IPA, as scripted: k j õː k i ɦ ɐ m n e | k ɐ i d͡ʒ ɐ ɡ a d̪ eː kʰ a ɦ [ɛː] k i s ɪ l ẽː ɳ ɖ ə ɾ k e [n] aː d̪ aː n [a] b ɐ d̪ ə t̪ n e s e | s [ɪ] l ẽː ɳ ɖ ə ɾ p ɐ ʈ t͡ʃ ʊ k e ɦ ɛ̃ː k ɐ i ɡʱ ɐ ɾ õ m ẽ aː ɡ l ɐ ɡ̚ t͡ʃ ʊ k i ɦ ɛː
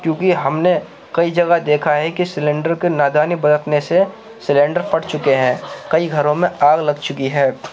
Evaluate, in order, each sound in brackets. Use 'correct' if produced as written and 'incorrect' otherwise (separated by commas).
incorrect, correct, incorrect, correct